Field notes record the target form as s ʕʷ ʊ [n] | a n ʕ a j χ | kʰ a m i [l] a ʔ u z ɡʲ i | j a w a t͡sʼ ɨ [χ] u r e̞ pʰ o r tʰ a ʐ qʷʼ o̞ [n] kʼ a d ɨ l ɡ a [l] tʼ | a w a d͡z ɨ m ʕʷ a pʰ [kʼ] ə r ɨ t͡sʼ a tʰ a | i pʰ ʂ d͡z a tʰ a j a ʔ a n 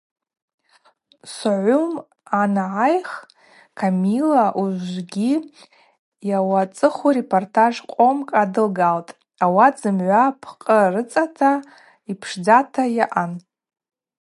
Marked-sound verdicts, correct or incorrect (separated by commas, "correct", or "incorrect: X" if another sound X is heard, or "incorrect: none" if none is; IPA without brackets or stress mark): incorrect: m, correct, correct, incorrect: m, correct, incorrect: qʼ